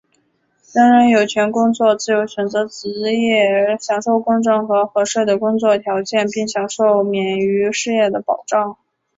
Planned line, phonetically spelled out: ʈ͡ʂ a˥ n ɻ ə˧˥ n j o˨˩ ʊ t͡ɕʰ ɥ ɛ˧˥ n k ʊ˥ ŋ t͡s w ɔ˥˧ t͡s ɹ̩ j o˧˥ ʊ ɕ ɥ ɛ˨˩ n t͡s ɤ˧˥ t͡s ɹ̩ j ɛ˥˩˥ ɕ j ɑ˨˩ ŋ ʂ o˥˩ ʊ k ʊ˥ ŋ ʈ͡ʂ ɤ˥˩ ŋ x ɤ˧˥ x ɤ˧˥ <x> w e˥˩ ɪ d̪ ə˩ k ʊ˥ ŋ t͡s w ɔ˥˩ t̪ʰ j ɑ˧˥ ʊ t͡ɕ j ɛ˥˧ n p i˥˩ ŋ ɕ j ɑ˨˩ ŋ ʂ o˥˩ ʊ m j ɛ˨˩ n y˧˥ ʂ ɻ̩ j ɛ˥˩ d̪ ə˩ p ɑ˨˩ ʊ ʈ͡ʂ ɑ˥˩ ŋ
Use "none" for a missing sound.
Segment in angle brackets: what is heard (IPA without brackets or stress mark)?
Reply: ʂ